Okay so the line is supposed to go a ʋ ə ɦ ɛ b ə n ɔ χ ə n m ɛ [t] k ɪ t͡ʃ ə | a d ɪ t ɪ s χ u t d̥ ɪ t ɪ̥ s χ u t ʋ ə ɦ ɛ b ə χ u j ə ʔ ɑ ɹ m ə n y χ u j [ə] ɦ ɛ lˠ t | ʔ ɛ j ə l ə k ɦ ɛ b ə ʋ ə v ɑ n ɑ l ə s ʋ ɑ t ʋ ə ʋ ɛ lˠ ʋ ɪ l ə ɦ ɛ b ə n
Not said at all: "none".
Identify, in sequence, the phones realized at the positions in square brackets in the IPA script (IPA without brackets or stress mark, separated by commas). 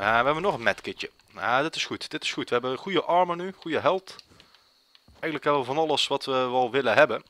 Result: t, ə